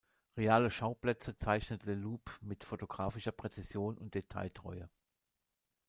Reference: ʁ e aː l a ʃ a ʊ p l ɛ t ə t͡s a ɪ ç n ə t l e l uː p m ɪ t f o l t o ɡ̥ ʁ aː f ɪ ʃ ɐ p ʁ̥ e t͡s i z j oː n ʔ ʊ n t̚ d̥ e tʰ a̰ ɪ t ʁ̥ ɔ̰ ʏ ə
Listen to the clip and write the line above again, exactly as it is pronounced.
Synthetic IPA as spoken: ʁ e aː l ə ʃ a ʊ p l ɛ t͡s ə t͡s a ɪ ç n ə t l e l uː p m ɪ t f o t o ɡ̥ ʁ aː f ɪ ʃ ɐ p ʁ̥ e t͡s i z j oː n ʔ ʊ n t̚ d̥ e tʰ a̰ ɪ t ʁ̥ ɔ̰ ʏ ə